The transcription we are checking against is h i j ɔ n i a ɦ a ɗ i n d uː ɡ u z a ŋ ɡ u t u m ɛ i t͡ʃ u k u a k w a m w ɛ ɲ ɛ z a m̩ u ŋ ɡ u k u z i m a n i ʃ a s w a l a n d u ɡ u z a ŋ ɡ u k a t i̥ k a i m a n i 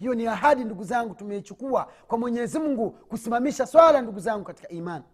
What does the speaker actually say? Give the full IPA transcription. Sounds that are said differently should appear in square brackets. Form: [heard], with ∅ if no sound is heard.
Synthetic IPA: h i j ɔ n i a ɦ a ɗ i n d [u] ɡ u z a ŋ ɡ u t u m ɛ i t͡ʃ u k u a k w a m w ɛ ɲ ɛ z [i] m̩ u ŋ ɡ u k u [s] i m a [m] i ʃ a s w a l a n d u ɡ u z a ŋ ɡ u k a t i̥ k a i m a n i